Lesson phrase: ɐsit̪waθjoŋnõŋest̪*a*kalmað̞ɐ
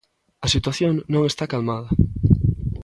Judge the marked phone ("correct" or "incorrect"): correct